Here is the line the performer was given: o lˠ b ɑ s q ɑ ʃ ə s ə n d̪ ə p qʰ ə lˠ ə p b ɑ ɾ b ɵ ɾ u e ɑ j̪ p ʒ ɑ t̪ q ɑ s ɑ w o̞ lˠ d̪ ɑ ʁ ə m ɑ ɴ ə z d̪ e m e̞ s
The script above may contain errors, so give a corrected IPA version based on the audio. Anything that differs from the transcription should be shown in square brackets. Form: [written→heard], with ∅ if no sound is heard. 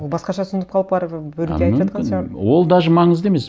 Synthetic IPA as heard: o lˠ b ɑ s q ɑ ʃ [ə→ɑ] s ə n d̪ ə p qʰ [ə→ɑ] lˠ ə p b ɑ ɾ b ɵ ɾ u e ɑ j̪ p ʒ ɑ t̪ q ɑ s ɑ w o̞ lˠ d̪ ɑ [ʁ→ʒ] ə m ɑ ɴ ə z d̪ e m e̞ s